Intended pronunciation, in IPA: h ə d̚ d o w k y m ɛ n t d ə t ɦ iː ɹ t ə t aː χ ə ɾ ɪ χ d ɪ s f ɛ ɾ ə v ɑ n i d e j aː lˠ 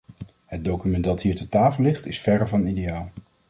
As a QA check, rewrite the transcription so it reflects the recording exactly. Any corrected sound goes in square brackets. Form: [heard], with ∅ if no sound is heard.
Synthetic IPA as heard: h ə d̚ d o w k y m ɛ n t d [ɑ] t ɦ iː ɹ t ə t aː [f] ə [l] ɪ χ [t] ɪ s f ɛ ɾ ə v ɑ n i d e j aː lˠ